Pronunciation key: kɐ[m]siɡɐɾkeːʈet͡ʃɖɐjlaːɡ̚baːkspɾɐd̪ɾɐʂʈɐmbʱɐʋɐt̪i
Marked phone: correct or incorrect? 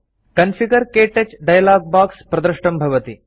incorrect